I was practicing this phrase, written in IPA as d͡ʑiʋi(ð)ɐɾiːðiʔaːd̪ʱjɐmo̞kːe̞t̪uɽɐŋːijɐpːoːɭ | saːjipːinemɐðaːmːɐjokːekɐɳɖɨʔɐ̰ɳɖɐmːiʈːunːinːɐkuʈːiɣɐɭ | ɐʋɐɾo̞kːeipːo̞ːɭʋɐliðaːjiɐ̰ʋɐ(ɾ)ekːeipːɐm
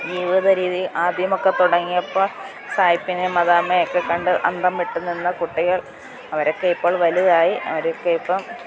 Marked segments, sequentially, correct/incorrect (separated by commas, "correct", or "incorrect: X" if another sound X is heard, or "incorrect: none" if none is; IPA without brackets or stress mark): correct, correct